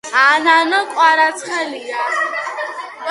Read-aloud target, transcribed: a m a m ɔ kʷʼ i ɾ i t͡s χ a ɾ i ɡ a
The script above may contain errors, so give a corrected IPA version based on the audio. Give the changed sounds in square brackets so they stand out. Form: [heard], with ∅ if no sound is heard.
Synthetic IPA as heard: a [n] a [n] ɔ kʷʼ [a] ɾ [a] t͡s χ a [l] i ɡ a